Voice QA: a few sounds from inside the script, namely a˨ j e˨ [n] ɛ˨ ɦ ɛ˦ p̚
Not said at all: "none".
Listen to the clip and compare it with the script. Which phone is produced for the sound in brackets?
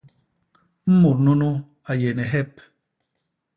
n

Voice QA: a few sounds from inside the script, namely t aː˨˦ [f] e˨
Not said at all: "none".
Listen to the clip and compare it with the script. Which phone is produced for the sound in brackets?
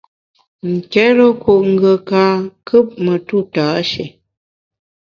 ʃ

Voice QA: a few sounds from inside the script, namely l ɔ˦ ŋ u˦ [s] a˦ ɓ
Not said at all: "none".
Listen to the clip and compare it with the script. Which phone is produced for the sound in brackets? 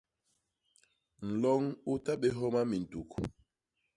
t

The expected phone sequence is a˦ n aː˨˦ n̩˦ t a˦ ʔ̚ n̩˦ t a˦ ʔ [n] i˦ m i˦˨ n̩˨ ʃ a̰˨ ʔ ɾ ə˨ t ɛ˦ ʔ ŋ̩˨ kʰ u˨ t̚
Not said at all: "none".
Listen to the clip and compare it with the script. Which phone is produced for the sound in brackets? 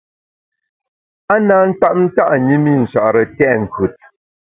ɲ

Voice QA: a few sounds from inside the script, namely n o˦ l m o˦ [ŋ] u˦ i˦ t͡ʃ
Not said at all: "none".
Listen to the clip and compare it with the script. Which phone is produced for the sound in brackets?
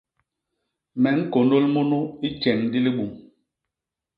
n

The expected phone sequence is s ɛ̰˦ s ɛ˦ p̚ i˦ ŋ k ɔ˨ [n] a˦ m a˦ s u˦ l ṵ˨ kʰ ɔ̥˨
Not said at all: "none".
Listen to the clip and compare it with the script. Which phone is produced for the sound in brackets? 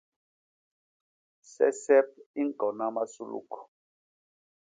n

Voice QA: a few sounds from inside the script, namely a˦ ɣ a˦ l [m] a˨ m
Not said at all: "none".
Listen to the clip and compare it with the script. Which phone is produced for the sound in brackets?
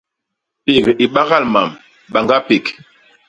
m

